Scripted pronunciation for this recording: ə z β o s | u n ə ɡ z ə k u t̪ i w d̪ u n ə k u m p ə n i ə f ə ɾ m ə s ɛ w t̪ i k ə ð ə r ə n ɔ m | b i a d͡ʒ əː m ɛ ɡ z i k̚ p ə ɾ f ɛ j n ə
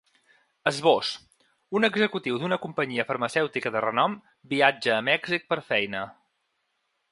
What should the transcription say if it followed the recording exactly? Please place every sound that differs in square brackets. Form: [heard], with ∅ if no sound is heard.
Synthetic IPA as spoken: ə z β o s | u n ə ɡ z ə k u t̪ i w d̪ u n ə k u m p ə [ɲ] i ə f ə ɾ m ə s ɛ w t̪ i k ə ð ə r ə n ɔ m | b i a d͡ʒ əː m ɛ ɡ z i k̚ p ə ɾ f ɛ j n ə